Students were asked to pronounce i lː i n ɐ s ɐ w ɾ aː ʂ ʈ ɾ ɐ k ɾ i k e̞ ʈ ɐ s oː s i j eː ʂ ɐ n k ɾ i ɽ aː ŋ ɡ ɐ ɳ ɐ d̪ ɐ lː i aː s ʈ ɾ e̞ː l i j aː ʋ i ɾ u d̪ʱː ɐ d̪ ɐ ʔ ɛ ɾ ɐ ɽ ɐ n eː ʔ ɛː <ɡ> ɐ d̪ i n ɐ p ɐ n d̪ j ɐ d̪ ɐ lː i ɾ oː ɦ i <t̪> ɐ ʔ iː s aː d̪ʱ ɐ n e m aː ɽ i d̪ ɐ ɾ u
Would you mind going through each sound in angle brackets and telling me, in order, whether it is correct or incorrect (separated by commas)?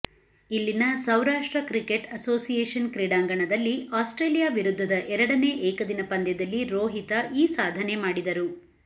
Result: incorrect, correct